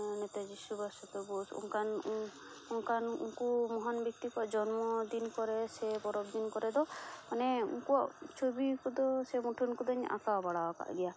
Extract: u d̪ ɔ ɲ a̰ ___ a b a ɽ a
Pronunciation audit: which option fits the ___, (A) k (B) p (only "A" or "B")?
A